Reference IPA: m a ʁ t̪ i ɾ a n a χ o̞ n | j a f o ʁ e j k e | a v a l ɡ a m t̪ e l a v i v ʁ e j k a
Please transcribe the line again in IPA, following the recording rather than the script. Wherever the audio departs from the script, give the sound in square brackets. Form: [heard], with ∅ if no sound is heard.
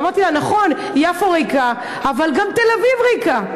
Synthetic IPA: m a ʁ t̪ i [l] a n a χ o̞ n | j a f o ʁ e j k [a] | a v a l ɡ a m t̪ e l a v i v ʁ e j k a

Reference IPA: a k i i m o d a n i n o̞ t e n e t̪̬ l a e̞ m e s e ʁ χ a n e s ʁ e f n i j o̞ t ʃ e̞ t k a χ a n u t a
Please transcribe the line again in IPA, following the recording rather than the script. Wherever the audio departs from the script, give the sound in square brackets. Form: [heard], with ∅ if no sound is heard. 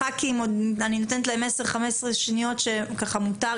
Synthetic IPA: a k i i m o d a n i n o̞ t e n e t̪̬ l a e̞ m e s e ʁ χ a [m] e s ʁ e [ʃ] n i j o̞ t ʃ e̞ [∅] k a χ a [m] u t a

